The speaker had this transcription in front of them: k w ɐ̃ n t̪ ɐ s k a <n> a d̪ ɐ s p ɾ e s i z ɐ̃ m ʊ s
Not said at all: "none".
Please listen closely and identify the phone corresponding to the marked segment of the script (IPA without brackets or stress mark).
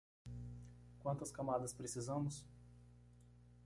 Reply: m